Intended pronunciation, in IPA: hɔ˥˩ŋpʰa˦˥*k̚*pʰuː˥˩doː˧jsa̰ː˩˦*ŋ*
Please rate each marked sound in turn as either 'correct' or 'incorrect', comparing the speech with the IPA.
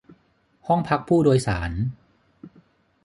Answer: correct, incorrect: n

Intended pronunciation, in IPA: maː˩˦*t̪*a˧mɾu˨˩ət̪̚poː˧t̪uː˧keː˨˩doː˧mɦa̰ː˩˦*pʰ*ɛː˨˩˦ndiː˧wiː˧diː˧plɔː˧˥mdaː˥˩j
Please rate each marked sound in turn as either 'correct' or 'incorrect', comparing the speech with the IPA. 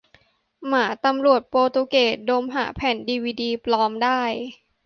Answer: correct, correct

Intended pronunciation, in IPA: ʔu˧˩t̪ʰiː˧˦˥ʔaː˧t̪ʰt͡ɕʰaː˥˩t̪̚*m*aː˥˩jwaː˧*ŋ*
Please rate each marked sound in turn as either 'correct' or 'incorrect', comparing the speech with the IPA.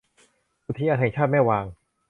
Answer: correct, correct

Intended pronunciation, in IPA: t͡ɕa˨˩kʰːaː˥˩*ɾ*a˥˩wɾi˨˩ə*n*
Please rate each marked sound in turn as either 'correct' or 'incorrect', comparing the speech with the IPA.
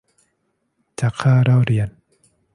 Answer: correct, correct

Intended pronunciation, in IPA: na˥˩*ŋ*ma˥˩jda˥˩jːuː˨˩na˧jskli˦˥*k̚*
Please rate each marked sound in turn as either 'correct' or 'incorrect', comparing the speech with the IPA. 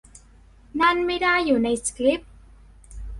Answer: incorrect: n, incorrect: p̚

